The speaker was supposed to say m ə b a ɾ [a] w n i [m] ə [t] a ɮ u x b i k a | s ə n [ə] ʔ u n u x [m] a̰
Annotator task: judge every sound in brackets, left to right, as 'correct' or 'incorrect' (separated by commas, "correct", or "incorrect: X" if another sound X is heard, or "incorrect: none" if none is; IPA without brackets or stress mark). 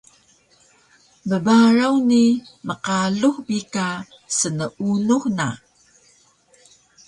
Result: correct, correct, incorrect: q, correct, incorrect: n